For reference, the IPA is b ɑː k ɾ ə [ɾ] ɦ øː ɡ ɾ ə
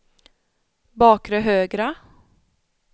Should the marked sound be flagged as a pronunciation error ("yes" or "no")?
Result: yes